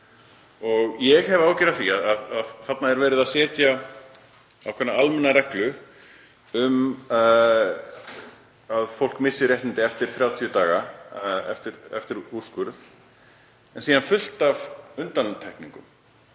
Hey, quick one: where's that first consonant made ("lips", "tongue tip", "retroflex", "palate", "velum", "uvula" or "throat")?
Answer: velum